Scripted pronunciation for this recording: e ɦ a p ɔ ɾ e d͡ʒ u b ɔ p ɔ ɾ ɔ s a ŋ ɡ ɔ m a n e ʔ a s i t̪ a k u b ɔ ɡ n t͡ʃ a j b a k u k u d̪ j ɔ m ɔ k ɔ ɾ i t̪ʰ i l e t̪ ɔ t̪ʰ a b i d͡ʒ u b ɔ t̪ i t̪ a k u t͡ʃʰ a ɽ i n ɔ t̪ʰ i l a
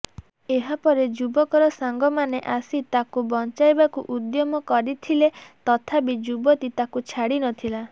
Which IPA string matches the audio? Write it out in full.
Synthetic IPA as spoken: e ɦ a p ɔ ɾ e d͡ʒ u b ɔ k ɔ ɾ ɔ s a ŋ ɡ ɔ m a n e ʔ a s i t̪ a k u b ɔ n t͡ʃ a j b a k u ʔ u d̪ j ɔ m ɔ k ɔ ɾ i t̪ʰ i l e t̪ ɔ t̪ʰ a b i d͡ʒ u b ɔ t̪ i t̪ a k u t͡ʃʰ a ɽ i n ɔ t̪ʰ i l a

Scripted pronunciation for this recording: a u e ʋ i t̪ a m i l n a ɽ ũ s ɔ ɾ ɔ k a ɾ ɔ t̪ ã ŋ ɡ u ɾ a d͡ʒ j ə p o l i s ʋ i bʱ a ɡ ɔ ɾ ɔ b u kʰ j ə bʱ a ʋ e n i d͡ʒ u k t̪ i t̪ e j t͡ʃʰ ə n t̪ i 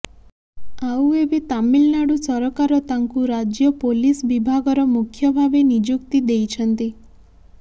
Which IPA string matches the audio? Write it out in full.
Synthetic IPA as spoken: a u e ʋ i t̪ a m i l n a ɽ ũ s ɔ ɾ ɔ k a ɾ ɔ t̪ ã ŋ k u ɾ a d͡ʒ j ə p o l i s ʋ i bʱ a ɡ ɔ ɾ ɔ m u kʰ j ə bʱ a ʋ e n i d͡ʒ u k t̪ i d̪ e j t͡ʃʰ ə n t̪ i

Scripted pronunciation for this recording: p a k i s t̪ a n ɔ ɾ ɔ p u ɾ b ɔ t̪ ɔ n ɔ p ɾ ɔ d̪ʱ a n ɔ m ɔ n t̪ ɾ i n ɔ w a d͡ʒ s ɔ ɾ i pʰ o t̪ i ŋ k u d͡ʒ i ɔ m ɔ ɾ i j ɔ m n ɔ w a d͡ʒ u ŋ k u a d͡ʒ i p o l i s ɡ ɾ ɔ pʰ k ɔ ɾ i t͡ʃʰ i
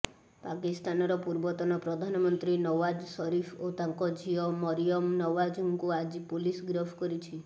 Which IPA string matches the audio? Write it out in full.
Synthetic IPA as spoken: p a k i s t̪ a n ɔ ɾ ɔ p u ɾ b ɔ t̪ ɔ n ɔ p ɾ ɔ d̪ʱ a n ɔ m ɔ n t̪ ɾ i n ɔ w a d͡ʒ s ɔ ɾ i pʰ o t̪ a ŋ k ɔ d͡ʒ i ɔ m ɔ ɾ i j ɔ m n ɔ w a d͡ʒ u ŋ k u a d͡ʒ i p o l i s ɡ ɾ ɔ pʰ k ɔ ɾ i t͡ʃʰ i

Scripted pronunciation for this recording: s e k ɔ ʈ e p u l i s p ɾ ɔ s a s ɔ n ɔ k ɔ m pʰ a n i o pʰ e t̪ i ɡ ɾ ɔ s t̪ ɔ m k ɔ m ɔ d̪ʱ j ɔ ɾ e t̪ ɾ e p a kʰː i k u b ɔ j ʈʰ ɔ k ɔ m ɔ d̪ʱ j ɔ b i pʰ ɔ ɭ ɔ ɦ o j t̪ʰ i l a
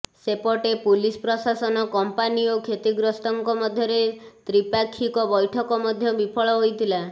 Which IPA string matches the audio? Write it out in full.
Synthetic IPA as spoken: s e p ɔ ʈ e p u l i s p ɾ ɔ s a s ɔ n ɔ k ɔ m p a n i o kʰ e t̪ i ɡ ɾ ɔ s t̪ ɔ ŋ k ɔ m ɔ d̪ʱ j ɔ ɾ e t̪ ɾ i p a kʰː i k ɔ b ɔ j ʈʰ ɔ k ɔ m ɔ d̪ʱ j ɔ b i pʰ ɔ ɭ ɔ ɦ o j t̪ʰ i l a

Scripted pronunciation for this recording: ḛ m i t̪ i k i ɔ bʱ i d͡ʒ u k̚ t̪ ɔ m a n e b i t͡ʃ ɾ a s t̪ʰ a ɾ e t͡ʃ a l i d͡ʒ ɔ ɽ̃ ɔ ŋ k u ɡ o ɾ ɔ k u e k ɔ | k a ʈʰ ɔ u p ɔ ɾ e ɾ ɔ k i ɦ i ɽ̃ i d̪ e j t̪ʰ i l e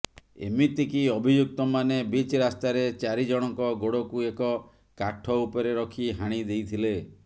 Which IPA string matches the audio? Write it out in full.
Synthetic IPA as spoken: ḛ m i t̪ i k i ɔ bʱ i d͡ʒ u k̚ t̪ ɔ m a n e b i t͡ʃ ɾ a s t̪ a ɾ e t͡ʃ a ɾ i d͡ʒ ɔ ɽ̃ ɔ ŋ k ɔ ɡ o ɽ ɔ k u e k ɔ | k a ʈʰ ɔ u p ɔ ɾ e ɾ ɔ kʰ i ɦ a ɽ̃ i d̪ e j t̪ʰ i l e

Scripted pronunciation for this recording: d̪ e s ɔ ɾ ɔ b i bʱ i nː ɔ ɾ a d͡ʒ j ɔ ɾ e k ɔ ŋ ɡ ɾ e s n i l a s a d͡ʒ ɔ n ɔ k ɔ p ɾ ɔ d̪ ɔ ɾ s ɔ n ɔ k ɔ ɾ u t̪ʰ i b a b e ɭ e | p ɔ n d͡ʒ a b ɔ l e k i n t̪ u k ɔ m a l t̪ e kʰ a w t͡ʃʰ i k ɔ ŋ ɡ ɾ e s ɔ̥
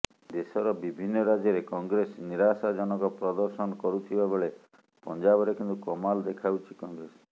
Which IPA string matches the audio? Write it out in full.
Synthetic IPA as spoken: d̪ e s ɔ ɾ ɔ b i bʱ i nː ɔ ɾ a d͡ʒ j ɔ ɾ e k ɔ ŋ ɡ ɾ e s n i ɾ a s a d͡ʒ ɔ n ɔ k ɔ p ɾ ɔ d̪ ɔ ɾ s ɔ n ɔ k ɔ ɾ u t̪ʰ i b a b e ɭ e | p ɔ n d͡ʒ a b ɔ ɾ e k i n t̪ u k ɔ m a l d̪ e kʰ a w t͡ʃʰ i k ɔ ŋ ɡ ɾ e s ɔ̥

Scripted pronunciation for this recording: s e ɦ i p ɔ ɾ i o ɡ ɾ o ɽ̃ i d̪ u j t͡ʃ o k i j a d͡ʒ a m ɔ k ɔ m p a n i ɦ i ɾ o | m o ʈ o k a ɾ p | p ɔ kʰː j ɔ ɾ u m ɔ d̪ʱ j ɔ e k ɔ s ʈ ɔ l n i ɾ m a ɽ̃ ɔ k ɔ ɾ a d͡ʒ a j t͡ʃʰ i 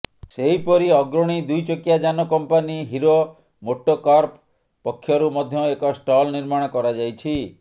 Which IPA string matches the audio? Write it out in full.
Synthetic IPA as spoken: s e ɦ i p ɔ ɾ i ɔ ɡ ɾ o ɽ̃ i d̪ u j t͡ʃ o k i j a d͡ʒ a n ɔ k ɔ m p a n i ɦ i ɾ o | m o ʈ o k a ɾ p | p ɔ kʰː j ɔ ɾ u m ɔ d̪ʱ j ɔ e k ɔ s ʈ ɔ l n i ɾ m a ɽ̃ ɔ k ɔ ɾ a d͡ʒ a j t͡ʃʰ i

